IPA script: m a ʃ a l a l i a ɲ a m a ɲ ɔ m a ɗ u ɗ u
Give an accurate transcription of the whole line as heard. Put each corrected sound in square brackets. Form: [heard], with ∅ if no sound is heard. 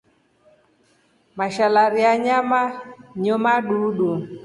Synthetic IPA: m a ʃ a l a [ɾ] i a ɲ a m a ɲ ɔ m a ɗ u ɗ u

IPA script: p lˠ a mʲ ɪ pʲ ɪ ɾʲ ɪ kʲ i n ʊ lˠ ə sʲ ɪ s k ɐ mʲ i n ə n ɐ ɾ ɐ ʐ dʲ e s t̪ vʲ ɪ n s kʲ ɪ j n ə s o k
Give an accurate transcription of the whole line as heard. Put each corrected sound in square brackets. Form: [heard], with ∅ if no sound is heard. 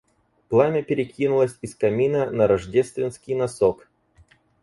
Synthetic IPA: p lˠ a mʲ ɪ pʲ ɪ ɾʲ ɪ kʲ i n ʊ lˠ ə sʲ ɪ s k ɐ mʲ i n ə n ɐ ɾ ɐ ʐ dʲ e s t̪ vʲ ɪ n s kʲ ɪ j n [ɐ] s o k

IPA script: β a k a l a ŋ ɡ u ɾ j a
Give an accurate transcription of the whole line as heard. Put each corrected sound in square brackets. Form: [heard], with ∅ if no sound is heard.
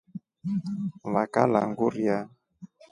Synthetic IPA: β a k a l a ŋ ɡ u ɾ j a

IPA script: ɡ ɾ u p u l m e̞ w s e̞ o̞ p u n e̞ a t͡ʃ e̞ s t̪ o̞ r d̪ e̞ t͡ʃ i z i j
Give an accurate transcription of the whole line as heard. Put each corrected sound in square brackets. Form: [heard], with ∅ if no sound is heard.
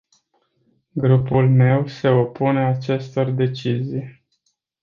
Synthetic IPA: ɡ ɾ u p u l m e̞ w s e̞ o̞ p u n e̞ a t͡ʃ e̞ s t̪ o̞ r d̪ e̞ t͡ʃ i z i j

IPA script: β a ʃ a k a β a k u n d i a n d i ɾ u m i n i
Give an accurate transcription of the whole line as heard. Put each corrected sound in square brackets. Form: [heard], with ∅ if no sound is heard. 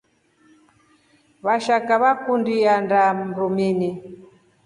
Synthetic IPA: β a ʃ a k a β a k u n d i a n d [a] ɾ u m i n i

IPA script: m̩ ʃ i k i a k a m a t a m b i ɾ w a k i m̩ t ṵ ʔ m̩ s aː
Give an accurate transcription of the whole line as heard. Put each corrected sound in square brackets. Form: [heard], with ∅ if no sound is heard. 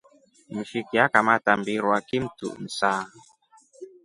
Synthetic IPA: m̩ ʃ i k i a k a m a t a m b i ɾ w a k i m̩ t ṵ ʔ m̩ s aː

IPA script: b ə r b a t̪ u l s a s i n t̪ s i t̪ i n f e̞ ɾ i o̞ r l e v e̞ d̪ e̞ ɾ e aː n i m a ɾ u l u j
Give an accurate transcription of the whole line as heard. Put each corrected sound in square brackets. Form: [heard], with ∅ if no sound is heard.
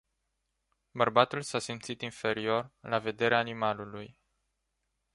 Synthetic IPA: b ə r b a t̪ u l s a s i [m] t̪ s i t̪ i n f e̞ ɾ i o̞ r l [a] v e̞ d̪ e̞ ɾ e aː n i m a [l] u l u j

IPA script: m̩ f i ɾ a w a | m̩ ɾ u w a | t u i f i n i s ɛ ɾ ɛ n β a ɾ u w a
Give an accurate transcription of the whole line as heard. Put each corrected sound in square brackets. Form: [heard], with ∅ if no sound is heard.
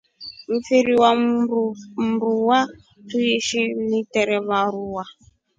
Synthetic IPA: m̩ f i ɾ [i] w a | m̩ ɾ u w a | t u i [ʃ] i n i [t] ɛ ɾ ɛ [∅] β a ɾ u w a

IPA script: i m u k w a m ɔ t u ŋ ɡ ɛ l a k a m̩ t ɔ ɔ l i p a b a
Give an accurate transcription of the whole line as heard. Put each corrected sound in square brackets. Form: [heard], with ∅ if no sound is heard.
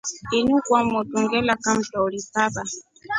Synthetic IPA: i [n] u k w a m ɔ t u ŋ ɡ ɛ l a k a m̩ t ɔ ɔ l i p a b a

